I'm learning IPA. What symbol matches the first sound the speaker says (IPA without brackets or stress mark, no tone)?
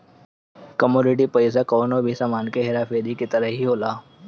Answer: k